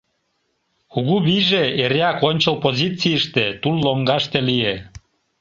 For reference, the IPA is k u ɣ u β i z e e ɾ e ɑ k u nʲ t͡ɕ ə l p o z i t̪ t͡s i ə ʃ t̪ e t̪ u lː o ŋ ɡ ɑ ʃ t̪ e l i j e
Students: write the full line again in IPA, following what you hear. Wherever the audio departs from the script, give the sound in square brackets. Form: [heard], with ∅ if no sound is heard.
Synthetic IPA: k u ɣ u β i [ʒ] e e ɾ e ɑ k [o] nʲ t͡ɕ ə l p o z i [∅] t͡s i ə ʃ t̪ e t̪ u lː o ŋ ɡ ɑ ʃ t̪ e l i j e